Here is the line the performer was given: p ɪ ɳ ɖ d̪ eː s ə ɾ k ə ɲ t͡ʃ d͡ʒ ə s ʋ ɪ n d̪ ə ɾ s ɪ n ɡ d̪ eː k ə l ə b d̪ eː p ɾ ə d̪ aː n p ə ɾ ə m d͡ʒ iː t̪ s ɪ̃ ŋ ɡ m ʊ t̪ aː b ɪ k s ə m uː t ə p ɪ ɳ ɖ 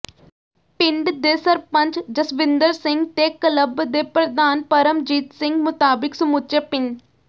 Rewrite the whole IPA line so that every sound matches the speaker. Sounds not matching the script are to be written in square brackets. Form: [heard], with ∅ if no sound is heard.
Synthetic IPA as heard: p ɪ ɳ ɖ d̪ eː s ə ɾ [p] ə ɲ t͡ʃ d͡ʒ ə s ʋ ɪ n d̪ ə ɾ s ɪ [ŋ] ɡ [t̪] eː k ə l ə b d̪ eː p ɾ ə d̪ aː n p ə ɾ ə m d͡ʒ iː t̪ s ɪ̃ ŋ ɡ m ʊ t̪ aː b ɪ k s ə m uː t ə p ɪ ɳ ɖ